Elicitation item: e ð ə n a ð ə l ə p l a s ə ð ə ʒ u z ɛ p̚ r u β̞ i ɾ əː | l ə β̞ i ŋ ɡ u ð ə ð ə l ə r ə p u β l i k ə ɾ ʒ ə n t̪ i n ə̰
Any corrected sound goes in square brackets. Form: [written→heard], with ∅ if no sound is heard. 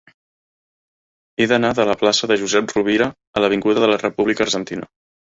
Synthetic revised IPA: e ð ə n a ð ə l ə p l a s ə ð ə ʒ u z ɛ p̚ r u β̞ i ɾ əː | l ə β̞ i ŋ ɡ u ð ə ð ə l ə r ə p u β l i k ə ɾ ʒ ə n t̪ i n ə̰